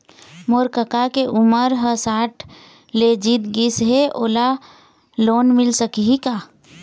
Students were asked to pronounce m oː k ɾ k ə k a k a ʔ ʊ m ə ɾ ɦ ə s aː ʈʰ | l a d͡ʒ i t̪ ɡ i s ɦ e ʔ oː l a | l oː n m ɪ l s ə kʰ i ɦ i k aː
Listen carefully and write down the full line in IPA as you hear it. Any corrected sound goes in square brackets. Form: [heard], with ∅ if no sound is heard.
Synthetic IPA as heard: m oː [∅] ɾ k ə k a k [e] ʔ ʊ m ə ɾ ɦ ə s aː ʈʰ | l [e] d͡ʒ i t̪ ɡ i s ɦ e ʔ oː l a | l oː n m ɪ l s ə [k] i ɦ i k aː